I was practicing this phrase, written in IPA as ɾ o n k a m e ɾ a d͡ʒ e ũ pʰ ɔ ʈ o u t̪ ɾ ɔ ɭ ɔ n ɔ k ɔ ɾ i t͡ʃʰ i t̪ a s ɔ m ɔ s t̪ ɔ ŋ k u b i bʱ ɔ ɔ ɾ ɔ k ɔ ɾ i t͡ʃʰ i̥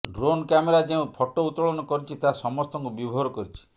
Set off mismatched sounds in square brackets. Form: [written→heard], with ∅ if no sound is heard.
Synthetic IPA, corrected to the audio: ɾ o n k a m e ɾ a d͡ʒ e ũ pʰ ɔ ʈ o u t̪ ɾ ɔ ɭ ɔ n ɔ k ɔ ɾ i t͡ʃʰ i t̪ a s ɔ m ɔ s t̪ ɔ ŋ k u b i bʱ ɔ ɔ ɾ ɔ k ɔ ɾ i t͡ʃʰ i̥